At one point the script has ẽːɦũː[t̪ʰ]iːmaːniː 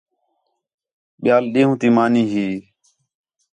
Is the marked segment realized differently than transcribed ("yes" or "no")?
yes